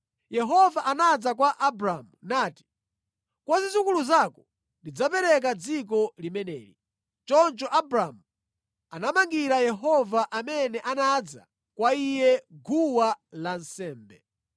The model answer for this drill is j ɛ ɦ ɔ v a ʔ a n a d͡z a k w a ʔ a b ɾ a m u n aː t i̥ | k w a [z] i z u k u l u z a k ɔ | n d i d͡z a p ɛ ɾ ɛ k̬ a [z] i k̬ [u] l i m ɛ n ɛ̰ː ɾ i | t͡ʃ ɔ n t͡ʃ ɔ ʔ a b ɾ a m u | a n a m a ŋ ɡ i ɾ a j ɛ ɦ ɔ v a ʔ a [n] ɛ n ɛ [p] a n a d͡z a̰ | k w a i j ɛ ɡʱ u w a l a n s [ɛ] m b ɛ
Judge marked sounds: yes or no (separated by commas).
yes, no, no, no, no, no